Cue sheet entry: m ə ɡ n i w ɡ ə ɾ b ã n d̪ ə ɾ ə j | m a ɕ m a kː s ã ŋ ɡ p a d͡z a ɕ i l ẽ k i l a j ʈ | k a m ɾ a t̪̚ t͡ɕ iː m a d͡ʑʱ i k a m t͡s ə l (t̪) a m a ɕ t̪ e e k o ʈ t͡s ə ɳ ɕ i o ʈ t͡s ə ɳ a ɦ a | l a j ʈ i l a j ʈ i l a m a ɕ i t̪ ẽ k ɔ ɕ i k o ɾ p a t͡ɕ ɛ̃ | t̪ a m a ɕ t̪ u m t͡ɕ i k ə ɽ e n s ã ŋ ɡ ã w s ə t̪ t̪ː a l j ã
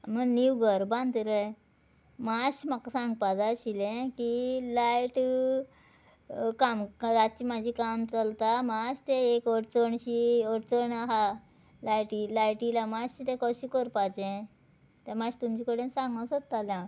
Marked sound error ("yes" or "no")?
no